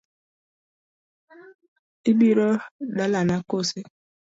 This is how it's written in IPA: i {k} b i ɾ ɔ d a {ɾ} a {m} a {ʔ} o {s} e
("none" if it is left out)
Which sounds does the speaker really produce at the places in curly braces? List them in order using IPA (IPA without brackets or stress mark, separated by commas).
none, l, n, k, s